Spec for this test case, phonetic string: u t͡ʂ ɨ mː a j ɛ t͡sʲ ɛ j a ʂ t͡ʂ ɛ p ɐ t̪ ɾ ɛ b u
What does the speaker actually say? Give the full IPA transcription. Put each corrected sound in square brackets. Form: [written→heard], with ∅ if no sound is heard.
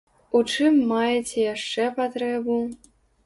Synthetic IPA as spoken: u t͡ʂ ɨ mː a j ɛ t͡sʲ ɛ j a ʂ t͡ʂ ɛ p [ɐ→a] t̪ ɾ ɛ b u